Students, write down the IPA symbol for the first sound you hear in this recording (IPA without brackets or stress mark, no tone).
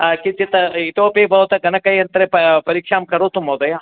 k